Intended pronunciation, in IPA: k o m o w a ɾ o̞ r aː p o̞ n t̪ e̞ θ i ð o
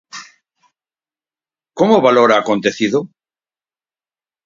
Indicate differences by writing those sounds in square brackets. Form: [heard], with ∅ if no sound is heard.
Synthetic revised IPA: k o m o [β] a [l] o̞ [ɾ] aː [k] o̞ n t̪ e̞ θ i ð o